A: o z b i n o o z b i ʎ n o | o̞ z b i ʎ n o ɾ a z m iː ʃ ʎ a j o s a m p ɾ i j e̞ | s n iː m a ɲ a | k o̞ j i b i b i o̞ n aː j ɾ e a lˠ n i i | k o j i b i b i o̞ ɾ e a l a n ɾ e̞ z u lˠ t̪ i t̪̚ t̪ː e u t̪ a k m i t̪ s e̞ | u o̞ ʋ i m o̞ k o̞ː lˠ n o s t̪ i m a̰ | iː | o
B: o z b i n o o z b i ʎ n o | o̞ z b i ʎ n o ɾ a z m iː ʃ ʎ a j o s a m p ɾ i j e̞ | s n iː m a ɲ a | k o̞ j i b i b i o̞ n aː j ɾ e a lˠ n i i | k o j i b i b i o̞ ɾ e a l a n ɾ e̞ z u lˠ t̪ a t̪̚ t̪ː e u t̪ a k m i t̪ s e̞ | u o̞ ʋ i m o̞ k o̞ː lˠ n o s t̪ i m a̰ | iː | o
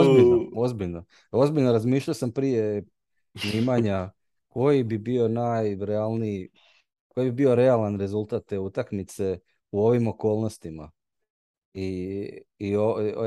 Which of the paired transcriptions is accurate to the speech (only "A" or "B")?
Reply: B